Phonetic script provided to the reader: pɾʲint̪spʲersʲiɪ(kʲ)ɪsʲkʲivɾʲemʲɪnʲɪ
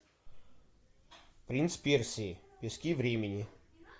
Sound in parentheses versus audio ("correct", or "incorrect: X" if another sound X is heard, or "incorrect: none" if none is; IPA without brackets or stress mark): incorrect: pʲ